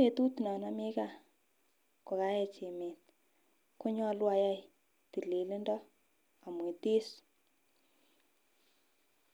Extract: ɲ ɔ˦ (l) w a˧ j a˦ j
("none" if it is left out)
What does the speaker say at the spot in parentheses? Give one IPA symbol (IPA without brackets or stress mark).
l